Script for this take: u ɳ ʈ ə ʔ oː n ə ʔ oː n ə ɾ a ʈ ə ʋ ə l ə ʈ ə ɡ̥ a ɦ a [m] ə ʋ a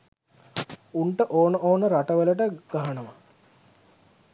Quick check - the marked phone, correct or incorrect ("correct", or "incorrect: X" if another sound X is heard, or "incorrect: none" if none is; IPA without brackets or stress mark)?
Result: incorrect: n